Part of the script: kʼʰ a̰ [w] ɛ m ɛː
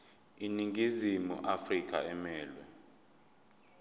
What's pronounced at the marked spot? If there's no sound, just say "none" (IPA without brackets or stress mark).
none